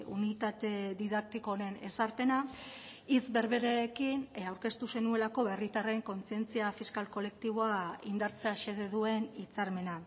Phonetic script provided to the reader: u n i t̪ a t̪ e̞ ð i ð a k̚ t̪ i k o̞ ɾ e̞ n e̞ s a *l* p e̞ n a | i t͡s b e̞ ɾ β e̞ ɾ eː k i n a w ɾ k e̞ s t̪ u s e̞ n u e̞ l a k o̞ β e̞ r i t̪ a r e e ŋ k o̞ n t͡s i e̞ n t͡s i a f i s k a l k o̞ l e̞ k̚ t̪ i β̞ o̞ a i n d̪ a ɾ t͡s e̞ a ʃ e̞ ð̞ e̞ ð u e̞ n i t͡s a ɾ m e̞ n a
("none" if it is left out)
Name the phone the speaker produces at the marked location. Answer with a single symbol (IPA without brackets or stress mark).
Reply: ɾ